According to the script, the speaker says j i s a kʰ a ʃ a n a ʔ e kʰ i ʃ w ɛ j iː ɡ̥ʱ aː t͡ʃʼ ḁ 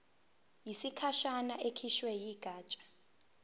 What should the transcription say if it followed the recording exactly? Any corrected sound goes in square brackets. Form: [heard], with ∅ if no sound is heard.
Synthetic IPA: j i s [i] kʰ a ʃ a n a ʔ e kʰ i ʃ w ɛ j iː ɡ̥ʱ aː t͡ʃʼ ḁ

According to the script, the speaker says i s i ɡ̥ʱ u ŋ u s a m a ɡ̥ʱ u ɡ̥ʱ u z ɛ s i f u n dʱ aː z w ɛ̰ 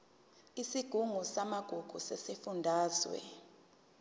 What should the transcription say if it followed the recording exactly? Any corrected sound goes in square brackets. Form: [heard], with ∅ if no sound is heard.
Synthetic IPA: i s i ɡ̥ʱ u ŋ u s a m a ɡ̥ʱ u ɡ̥ʱ u [s] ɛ s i f u n dʱ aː z w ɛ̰

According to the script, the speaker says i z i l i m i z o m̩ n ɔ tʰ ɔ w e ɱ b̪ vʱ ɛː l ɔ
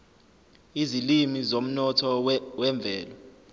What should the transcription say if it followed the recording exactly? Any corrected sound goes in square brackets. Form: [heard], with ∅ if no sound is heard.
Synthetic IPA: i z i l i m i z o m̩ n ɔ tʰ ɔ w [ɛ] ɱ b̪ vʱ ɛː l ɔ

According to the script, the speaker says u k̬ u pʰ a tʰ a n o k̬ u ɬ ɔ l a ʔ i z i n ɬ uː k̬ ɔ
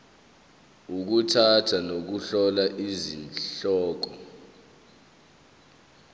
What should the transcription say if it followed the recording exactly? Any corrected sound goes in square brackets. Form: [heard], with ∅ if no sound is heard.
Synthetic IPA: u k̬ u [tʰ] a tʰ a n o k̬ u ɬ ɔ l a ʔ i z i n ɬ [ɔː] k̬ ɔ

